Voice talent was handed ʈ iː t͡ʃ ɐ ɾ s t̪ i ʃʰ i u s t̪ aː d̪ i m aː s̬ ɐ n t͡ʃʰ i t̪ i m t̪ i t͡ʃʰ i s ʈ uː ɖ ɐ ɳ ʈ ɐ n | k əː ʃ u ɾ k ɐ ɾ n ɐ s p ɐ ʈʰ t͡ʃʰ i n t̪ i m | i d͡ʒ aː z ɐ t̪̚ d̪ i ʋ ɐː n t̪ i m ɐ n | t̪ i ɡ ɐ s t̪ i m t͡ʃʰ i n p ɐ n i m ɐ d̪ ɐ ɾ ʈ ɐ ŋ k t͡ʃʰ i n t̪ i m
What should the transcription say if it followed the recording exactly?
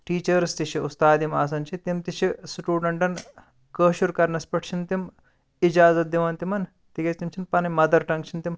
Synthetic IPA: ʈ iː t͡ʃ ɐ ɾ s t̪ i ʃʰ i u s t̪ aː d̪ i m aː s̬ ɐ n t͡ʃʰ i t̪ i m t̪ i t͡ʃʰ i s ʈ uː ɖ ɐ ɳ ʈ ɐ n | k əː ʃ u ɾ k ɐ ɾ n ɐ s p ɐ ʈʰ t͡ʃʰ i n t̪ i m | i d͡ʒ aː z ɐ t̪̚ d̪ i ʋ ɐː n t̪ i m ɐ n | t̪ i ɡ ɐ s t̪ i m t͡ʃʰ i n p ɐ n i m ɐ d̪ ɐ ɾ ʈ ɐ ŋ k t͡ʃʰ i n t̪ i m

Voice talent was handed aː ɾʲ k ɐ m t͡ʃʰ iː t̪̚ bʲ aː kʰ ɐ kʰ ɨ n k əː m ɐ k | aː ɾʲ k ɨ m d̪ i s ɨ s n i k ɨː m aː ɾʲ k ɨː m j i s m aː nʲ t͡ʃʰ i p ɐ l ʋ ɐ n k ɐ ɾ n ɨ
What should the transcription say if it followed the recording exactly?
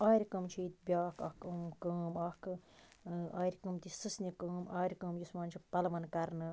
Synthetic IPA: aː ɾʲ k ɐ m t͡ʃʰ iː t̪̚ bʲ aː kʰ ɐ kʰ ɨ m k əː m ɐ k | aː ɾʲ k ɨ m t̪ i s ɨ s n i k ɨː m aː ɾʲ k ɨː m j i s m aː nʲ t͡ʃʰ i p ɐ l ʋ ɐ n k ɐ ɾ n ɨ

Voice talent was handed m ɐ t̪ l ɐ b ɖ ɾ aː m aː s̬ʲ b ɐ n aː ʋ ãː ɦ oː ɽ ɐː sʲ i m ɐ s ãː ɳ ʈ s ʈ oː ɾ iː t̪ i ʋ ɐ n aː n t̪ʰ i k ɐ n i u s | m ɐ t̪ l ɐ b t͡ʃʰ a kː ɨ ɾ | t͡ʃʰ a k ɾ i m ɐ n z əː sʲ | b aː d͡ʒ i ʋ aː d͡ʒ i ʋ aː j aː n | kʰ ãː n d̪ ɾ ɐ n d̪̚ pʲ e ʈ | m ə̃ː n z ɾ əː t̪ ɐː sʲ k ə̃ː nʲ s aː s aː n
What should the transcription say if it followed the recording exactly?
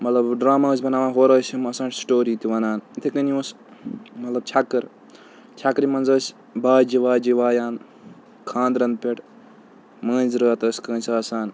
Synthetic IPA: m ɐ t̪ l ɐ b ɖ ɾ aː m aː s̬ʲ b ɐ n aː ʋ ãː ɦ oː ɾ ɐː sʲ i m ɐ s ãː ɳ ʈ s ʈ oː ɾ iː t̪ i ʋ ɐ n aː n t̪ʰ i k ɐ n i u s | m ɐ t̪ l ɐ b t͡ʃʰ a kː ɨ ɾ | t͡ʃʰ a k ɾ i m ɐ n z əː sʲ | b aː d͡ʒ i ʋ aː d͡ʒ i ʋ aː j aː n | kʰ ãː n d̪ ɾ ɐ n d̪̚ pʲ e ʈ | m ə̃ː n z ɾ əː t̪ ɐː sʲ k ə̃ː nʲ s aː s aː n

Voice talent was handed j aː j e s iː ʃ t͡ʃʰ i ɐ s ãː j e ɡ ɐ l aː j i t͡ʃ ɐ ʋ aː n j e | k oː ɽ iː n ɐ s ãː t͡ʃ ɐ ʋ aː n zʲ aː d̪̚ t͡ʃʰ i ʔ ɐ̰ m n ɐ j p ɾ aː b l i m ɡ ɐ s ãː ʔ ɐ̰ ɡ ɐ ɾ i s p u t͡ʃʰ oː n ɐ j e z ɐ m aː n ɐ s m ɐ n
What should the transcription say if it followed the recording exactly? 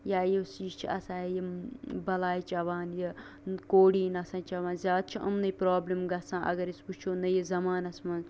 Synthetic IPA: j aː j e s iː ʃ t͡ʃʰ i ɐ s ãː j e b ɐ l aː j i t͡ʃ ɐ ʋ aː n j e | k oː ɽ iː n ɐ s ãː t͡ʃ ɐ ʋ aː n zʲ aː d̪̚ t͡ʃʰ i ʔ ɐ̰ m n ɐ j p ɾ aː b l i m ɡ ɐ s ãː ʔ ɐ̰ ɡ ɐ ɾ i s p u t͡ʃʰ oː n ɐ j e z ɐ m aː n ɐ s m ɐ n

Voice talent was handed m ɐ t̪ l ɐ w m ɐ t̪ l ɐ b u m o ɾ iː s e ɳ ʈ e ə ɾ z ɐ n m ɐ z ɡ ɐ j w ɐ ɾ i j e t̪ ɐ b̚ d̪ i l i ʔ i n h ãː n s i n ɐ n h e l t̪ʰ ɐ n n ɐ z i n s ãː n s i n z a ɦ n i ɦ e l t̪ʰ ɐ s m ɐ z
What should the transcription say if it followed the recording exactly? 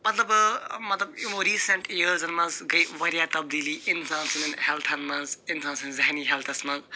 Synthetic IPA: m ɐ t̪ l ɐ b m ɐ t̪ l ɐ b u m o ɾ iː s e ɳ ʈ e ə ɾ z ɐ n m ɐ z ɡ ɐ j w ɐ ɾ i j a t̪ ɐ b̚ d̪ i l i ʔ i n s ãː n s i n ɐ n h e l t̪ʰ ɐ n m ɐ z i n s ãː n s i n z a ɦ n i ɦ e l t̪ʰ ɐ s m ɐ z

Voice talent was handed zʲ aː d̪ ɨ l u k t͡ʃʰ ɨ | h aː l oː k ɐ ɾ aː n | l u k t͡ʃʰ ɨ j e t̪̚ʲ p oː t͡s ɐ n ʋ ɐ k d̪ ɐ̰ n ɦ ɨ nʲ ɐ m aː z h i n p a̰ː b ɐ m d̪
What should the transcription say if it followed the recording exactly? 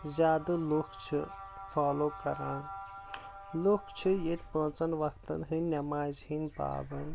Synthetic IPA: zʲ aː d̪ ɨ l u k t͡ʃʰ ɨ | f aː l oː k ɐ ɾ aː n | l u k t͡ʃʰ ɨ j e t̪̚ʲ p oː t͡s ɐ n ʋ ɐ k t̪ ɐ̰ n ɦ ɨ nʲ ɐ m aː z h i n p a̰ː b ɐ n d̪

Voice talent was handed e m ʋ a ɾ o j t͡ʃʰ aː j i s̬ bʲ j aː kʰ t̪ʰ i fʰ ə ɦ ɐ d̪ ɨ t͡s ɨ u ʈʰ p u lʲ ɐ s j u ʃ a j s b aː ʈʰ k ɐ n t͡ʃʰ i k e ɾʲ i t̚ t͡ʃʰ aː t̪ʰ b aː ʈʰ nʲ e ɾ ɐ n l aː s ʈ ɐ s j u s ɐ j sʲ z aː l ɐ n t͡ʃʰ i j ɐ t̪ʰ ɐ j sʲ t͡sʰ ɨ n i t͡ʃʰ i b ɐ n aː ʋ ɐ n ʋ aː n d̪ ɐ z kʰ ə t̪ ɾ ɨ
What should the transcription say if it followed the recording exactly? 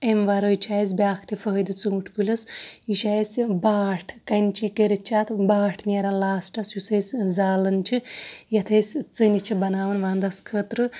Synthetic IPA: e m ʋ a ɾ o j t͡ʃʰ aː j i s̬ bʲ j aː kʰ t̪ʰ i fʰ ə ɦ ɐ d̪ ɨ t͡s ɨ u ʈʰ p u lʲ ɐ s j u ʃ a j s b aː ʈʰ k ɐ n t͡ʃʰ i k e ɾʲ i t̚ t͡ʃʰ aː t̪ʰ b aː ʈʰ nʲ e ɾ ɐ n l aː s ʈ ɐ s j u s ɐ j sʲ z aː l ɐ n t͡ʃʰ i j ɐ t̪ʰ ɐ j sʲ t͡s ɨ n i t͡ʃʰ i b ɐ n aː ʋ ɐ n ʋ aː n d̪ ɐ s kʰ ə t̪ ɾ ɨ

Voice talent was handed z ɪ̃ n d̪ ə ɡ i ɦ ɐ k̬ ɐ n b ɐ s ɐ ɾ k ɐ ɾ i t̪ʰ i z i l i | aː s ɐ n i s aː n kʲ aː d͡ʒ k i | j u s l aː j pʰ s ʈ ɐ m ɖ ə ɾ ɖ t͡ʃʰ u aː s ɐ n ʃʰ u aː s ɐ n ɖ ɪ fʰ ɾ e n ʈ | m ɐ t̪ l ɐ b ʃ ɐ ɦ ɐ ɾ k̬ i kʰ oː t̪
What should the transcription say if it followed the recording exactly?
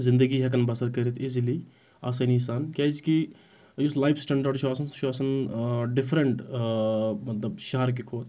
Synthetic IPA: z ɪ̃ n d̪ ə ɡ i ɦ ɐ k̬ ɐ n b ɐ s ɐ ɾ k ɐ ɾ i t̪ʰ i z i l i | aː s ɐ n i s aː n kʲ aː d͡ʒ k i | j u s l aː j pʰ s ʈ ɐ ɳ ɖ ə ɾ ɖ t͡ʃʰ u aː s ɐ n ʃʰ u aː s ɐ n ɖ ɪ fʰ ɾ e ɳ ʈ | m ɐ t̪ l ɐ b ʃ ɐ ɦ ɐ ɾ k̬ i kʰ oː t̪

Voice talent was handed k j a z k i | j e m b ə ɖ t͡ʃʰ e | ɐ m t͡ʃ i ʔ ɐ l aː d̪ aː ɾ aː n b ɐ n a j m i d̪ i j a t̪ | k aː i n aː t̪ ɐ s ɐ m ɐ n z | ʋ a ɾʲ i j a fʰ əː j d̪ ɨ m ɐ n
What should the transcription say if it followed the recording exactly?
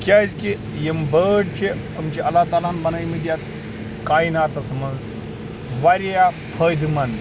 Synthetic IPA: k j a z k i | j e m b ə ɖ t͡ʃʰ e | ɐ m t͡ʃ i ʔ ɐ l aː t̪ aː l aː n b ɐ n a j m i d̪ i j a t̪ | k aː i n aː t̪ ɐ s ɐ m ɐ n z | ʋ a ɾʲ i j a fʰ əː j d̪ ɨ m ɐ n

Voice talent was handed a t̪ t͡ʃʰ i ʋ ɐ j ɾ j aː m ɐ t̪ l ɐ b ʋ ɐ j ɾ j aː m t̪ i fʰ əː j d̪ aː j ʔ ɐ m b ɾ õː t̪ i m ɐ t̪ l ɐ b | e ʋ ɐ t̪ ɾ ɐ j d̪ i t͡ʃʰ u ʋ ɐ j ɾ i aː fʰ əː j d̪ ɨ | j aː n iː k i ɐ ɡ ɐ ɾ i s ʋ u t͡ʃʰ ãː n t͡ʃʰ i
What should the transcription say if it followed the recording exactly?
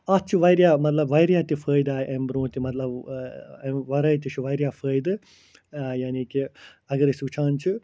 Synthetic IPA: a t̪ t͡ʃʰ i ʋ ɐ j ɾ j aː m ɐ t̪ l ɐ b ʋ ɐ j ɾ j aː t̪ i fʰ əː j d̪ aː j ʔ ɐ m b ɾ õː t̪ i m ɐ t̪ l ɐ b | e ʋ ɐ ɾ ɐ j t̪ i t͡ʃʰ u ʋ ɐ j ɾ j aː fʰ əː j d̪ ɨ | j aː n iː k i ɐ ɡ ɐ ɾ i s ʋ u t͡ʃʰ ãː n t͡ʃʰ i

